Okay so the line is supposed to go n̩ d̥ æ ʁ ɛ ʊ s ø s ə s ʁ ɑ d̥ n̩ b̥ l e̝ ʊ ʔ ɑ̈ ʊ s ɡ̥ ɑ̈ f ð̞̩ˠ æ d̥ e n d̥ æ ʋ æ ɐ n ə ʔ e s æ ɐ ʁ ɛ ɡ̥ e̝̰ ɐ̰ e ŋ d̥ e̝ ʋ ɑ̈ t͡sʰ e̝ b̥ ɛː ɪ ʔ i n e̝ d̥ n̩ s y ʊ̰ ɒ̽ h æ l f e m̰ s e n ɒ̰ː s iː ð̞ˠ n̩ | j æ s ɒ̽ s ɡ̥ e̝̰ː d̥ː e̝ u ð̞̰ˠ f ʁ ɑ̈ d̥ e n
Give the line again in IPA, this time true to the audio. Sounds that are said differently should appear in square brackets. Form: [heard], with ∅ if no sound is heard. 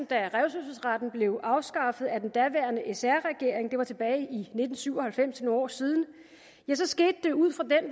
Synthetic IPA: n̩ d̥ æ ʁ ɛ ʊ s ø s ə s ʁ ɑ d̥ n̩ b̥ l e̝ ʊ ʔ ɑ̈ ʊ s ɡ̥ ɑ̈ f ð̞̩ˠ æ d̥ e n d̥ æ ʋ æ ɐ n ə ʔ e s æ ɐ ʁ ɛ ɡ̥ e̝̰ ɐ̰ e ŋ d̥ e̝ ʋ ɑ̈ t͡sʰ e̝ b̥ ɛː ɪ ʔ i n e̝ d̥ n̩ s y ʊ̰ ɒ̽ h æ l f e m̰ s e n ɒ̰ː s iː ð̞ˠ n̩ | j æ s ɒ̽ s ɡ̥ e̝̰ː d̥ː e̝ u ð̞̰ˠ f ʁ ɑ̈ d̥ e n